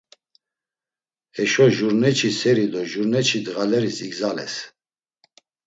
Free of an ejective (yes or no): yes